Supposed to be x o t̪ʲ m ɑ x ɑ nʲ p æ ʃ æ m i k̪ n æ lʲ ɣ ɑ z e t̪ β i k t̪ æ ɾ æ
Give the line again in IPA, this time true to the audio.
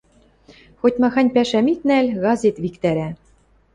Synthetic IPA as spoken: x o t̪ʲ m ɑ x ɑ nʲ p æ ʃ æ m i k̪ n æ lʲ ɣ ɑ z e t̪ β i k t̪ æ ɾ æ

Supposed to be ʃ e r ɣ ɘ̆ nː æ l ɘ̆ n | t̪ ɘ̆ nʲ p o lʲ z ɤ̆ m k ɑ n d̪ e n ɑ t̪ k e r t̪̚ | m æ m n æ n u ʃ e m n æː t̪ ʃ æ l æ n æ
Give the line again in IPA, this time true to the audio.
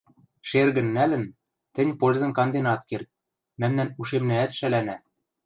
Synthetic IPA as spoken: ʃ e r ɣ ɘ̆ nː æ l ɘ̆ n | t̪ ɘ̆ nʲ p o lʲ z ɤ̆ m k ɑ n d̪ e n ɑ t̪ k e r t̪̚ | m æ m n æ n u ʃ e m n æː t̪ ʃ æ l æ n æ

